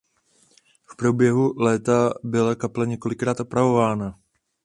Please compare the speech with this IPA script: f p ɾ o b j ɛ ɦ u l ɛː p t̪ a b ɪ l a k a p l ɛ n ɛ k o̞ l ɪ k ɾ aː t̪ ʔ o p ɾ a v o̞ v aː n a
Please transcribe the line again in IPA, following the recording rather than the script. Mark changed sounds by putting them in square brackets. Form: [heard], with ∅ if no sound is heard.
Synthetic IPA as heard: f p ɾ o b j ɛ ɦ u l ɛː [∅] t̪ a b ɪ l a k a p l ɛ [ɲ] ɛ k o̞ l ɪ k ɾ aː t̪ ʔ o p ɾ a v o̞ v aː n a